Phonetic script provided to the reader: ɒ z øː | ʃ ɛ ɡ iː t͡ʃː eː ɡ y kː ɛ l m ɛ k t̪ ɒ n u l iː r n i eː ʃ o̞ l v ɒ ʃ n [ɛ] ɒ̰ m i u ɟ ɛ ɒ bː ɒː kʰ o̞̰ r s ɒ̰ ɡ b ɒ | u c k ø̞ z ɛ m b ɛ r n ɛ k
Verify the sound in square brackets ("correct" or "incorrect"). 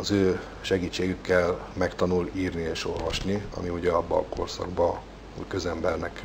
incorrect